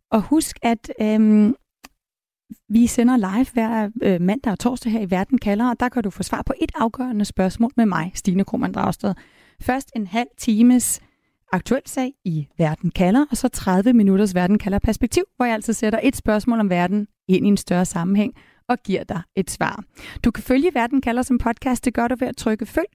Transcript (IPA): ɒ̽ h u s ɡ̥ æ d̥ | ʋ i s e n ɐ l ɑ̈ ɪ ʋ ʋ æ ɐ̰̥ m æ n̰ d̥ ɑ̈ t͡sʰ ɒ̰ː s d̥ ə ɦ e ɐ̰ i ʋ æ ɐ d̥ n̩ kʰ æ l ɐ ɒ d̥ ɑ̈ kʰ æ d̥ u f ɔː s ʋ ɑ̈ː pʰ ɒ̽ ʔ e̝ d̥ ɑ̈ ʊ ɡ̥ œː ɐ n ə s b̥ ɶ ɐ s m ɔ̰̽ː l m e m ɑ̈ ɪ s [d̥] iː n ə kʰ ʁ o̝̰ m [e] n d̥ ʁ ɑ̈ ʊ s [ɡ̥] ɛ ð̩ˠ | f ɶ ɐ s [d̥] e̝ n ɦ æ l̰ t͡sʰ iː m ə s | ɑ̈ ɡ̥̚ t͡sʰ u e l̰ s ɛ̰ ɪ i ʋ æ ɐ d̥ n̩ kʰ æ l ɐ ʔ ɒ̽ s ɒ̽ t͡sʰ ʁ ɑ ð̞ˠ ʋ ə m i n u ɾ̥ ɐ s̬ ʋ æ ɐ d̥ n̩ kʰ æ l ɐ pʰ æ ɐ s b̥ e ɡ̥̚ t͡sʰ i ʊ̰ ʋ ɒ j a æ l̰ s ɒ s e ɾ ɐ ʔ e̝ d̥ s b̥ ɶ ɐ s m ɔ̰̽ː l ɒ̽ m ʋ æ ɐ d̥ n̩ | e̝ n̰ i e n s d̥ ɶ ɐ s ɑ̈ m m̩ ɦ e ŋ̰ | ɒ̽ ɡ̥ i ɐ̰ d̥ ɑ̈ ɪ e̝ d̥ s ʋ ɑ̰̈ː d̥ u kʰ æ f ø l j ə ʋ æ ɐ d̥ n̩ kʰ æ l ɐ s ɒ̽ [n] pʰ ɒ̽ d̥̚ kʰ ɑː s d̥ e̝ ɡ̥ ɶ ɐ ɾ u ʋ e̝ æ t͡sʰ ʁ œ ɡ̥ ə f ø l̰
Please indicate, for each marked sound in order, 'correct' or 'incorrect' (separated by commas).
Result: correct, incorrect, incorrect, correct, incorrect